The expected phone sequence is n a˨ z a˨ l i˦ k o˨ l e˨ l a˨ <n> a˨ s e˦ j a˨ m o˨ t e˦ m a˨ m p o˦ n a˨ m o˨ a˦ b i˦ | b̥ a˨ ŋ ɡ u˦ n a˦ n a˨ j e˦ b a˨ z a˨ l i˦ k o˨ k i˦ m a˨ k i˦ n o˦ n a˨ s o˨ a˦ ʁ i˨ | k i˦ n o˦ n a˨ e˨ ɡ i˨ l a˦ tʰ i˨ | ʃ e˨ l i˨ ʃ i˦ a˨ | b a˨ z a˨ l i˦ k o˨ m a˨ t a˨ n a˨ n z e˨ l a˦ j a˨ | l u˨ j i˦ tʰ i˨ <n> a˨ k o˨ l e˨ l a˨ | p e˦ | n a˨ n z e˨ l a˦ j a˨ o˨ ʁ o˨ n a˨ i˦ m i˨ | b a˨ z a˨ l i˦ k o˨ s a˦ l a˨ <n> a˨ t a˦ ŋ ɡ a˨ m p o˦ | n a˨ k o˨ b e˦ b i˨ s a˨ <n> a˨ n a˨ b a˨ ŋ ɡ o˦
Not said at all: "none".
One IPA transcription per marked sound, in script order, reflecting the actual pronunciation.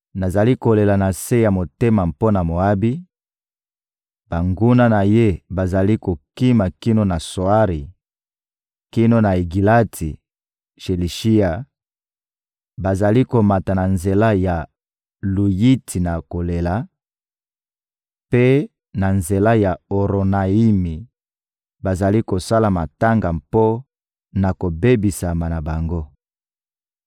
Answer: n, n, m, m

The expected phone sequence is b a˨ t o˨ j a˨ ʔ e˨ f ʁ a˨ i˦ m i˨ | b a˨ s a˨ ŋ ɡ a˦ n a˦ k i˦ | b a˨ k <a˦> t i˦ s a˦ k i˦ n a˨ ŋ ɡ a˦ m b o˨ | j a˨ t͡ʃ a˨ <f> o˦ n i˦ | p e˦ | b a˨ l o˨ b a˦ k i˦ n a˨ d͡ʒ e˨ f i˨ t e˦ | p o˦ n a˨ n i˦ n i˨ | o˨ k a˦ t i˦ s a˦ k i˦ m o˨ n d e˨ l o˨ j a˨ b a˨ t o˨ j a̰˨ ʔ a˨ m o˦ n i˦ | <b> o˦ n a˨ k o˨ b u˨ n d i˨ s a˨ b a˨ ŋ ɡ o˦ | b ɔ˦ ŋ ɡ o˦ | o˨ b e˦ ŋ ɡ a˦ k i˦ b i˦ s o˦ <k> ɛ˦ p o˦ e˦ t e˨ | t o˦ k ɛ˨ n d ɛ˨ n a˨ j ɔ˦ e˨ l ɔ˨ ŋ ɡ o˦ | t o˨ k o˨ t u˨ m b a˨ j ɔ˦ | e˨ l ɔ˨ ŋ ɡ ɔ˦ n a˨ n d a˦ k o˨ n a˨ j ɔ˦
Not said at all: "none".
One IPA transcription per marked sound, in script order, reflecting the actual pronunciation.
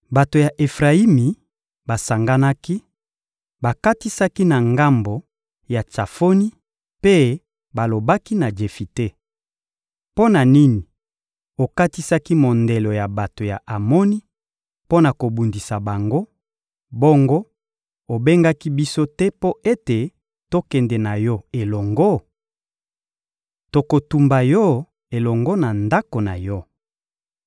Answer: a˦, f, p, t

